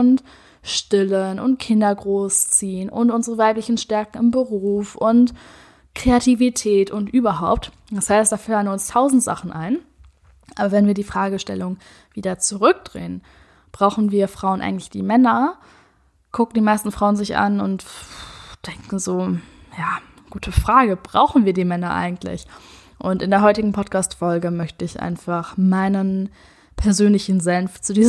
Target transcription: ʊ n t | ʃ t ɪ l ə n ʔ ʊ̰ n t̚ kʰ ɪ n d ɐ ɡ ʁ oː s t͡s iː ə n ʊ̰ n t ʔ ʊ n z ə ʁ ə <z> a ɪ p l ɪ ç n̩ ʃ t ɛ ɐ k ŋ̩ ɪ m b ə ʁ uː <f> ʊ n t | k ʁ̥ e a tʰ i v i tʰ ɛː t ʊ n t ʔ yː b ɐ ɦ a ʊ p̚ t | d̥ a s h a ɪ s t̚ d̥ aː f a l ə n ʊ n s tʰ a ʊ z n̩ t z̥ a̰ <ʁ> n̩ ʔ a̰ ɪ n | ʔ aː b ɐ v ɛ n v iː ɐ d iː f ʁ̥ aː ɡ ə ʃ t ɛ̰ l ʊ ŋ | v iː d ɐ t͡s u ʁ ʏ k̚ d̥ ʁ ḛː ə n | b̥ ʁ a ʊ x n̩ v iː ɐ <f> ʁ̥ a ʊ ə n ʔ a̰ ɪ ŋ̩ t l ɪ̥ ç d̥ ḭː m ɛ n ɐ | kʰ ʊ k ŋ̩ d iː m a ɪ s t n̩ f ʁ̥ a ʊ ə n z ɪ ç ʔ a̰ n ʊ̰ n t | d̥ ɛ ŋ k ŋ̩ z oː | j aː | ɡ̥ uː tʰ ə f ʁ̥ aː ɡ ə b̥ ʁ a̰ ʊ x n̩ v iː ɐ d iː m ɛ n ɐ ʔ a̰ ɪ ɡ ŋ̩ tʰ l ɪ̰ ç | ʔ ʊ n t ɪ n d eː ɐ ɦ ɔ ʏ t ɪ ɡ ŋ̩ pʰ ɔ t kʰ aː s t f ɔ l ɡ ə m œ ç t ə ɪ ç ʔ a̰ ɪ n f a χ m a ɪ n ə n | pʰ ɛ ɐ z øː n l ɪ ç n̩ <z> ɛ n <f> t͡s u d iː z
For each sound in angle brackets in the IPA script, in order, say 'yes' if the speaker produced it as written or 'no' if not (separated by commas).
no, yes, no, yes, yes, yes